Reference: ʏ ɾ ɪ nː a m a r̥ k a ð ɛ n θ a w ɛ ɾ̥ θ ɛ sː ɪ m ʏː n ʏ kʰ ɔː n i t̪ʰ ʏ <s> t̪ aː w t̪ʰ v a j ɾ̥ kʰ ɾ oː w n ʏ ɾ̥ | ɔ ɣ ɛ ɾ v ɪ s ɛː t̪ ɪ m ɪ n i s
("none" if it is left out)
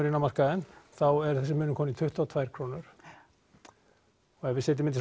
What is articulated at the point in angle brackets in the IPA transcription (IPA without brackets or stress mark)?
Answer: h